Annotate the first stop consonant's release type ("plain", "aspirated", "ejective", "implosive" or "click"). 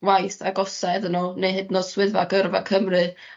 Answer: plain